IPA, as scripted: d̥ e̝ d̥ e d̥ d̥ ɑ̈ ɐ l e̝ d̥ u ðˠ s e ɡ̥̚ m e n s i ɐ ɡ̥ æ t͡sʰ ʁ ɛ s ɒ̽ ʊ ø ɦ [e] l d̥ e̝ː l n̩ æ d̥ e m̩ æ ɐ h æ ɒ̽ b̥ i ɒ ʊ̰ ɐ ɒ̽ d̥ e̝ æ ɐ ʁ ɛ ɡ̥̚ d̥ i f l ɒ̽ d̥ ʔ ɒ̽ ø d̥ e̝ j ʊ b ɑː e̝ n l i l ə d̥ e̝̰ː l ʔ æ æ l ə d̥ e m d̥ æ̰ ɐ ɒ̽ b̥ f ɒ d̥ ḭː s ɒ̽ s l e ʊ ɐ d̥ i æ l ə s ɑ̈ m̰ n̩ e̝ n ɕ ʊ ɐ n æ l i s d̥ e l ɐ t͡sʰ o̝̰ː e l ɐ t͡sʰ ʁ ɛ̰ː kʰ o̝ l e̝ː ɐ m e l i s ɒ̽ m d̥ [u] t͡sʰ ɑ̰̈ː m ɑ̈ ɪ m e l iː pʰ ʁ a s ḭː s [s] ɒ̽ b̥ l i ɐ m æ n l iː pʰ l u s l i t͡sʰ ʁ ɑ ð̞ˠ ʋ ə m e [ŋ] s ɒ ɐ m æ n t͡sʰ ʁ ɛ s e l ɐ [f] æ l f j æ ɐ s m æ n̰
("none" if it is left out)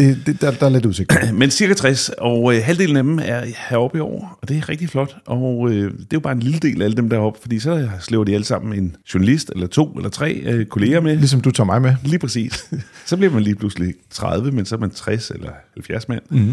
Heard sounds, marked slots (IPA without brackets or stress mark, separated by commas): æ, u, s, n, h